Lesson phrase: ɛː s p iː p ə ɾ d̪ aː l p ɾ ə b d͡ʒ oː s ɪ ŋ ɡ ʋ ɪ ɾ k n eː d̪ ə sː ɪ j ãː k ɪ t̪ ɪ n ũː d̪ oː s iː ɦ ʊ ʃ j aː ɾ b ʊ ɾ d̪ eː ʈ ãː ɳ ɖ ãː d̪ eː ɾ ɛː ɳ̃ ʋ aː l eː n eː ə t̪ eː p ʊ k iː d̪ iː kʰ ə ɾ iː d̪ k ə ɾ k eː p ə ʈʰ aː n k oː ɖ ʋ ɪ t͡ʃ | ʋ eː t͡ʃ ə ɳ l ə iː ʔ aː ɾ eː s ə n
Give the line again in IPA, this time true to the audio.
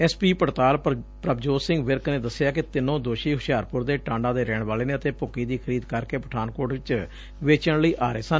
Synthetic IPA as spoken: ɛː s p iː p ə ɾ t̪ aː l p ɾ ə b d͡ʒ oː s ɪ ŋ ɡ ʋ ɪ ɾ k n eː d̪ ə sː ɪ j aː k ɪ t̪ ɪ n õː d̪ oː ʃ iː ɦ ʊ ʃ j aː ɾ p ʊ ɾ d̪ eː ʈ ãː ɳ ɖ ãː d̪ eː ɾ ɛː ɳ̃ ʋ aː l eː n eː ə t̪ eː p ʊ k iː d̪ iː kʰ ə ɾ iː d̪ k ə ɾ k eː p ə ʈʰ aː n k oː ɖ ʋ ɪ t͡ʃ | ʋ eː t͡ʃ ə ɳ l ə iː ʔ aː ɾ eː s ə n